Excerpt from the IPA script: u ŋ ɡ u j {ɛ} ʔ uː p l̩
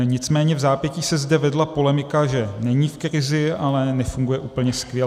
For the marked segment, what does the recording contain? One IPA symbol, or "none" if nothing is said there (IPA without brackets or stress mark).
ɛ